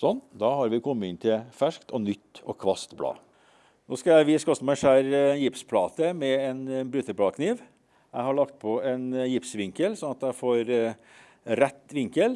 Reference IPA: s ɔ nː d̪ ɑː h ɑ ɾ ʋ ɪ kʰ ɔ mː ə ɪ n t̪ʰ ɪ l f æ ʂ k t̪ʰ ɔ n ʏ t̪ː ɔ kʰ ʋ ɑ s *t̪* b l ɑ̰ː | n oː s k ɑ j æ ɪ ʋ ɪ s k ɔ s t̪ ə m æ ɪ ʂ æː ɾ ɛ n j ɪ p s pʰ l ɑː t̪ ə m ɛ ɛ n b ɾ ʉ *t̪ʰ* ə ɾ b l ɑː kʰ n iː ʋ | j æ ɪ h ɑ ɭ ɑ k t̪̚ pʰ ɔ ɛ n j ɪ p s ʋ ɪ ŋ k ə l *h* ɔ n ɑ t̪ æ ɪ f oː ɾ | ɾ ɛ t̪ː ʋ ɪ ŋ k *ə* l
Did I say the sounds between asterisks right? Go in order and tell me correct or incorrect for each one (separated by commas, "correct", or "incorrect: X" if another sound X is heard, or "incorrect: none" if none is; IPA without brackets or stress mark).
correct, incorrect: t̪, incorrect: s, correct